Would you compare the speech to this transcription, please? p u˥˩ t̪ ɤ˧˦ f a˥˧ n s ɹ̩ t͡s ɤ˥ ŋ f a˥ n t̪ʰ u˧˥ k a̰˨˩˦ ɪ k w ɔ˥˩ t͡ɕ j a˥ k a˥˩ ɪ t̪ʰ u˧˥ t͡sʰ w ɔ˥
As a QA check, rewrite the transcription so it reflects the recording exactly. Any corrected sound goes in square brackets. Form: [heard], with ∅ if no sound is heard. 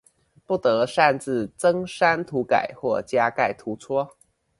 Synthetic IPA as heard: p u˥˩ t̪ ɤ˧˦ [ʂ] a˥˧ n [t͡s] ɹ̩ t͡s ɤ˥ ŋ [ʂ] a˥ n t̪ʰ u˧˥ k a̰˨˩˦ ɪ [x] w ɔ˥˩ t͡ɕ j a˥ k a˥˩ ɪ t̪ʰ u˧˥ t͡sʰ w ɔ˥